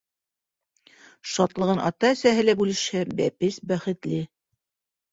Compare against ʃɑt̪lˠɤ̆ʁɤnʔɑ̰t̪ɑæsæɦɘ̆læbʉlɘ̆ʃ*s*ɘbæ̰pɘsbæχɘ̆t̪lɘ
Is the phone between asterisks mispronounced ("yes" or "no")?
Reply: yes